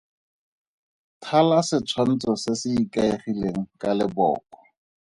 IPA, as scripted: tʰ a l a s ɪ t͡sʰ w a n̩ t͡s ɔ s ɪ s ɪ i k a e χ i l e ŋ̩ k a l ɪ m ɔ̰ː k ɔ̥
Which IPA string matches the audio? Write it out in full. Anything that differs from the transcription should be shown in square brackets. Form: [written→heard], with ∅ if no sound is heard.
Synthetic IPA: tʰ a l a s ɪ t͡sʰ w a n̩ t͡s ɔ s ɪ s ɪ i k a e χ i l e ŋ̩ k a l ɪ [m→b] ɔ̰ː k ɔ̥